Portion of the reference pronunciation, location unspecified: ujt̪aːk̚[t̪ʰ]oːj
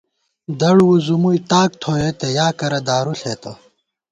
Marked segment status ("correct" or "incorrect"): correct